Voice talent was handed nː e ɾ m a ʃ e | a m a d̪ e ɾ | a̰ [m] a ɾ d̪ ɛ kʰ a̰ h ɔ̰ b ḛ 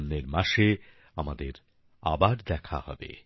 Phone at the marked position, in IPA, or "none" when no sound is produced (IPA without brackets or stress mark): b